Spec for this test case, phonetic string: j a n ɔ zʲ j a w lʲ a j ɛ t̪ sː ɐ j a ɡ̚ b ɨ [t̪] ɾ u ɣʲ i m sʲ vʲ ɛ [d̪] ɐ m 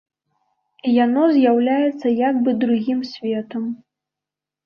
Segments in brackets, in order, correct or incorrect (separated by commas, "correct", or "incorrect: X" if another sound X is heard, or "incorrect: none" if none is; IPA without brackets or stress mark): incorrect: d̪, incorrect: t̪